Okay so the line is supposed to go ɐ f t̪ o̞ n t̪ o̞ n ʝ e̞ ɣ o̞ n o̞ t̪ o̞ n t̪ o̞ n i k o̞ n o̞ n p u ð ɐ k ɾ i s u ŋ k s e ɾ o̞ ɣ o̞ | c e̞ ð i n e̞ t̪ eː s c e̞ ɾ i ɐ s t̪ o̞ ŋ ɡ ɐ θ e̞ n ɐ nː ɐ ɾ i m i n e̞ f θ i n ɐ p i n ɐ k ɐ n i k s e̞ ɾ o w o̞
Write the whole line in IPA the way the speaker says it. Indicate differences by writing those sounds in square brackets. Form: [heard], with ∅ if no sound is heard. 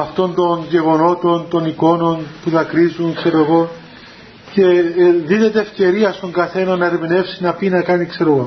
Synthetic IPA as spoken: ɐ f t̪ o̞ n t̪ o̞ n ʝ e̞ ɣ o̞ n o̞ t̪ o̞ n t̪ o̞ n i k o̞ n o̞ n p u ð ɐ k ɾ i [z] u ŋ k s e ɾ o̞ ɣ o̞ | c e̞ ð i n e̞ t̪ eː [f] c e̞ ɾ i ɐ s t̪ o̞ ŋ ɡ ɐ θ e̞ n ɐ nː ɐ ɾ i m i n e̞ f [s] i n ɐ p i n ɐ k ɐ n i k s e̞ ɾ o [ɣ] o̞